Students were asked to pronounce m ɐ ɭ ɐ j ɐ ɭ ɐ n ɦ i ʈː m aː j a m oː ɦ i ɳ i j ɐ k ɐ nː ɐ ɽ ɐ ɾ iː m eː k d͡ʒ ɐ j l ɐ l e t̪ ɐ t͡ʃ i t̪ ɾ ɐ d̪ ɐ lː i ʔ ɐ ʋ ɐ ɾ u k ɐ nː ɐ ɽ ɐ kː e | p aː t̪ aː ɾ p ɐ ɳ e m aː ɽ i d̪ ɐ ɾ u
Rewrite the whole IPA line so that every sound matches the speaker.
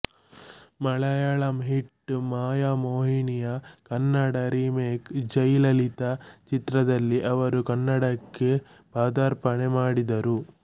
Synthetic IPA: m ɐ ɭ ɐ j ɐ ɭ ɐ m ɦ i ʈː m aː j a m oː ɦ i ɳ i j ɐ k ɐ nː ɐ ɽ ɐ ɾ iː m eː k d͡ʒ ɐ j l ɐ l i t̪ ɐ t͡ʃ i t̪ ɾ ɐ d̪ ɐ lː i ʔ ɐ ʋ ɐ ɾ u k ɐ nː ɐ ɽ ɐ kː e | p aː d̪ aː ɾ p ɐ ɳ e m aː ɽ i d̪ ɐ ɾ u